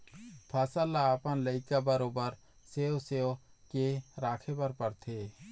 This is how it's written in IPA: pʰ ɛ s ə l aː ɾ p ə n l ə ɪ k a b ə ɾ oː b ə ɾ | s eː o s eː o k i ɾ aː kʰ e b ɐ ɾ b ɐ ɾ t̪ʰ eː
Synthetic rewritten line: pʰ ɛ s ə l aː p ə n l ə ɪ k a b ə ɾ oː b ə ɾ | s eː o s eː o k e ɾ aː kʰ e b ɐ ɾ p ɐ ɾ t̪ʰ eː